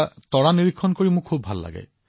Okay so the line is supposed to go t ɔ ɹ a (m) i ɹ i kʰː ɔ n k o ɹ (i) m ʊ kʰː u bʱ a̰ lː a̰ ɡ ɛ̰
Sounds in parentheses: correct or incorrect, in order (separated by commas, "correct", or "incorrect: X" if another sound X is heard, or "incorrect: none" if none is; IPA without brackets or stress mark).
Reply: incorrect: n, correct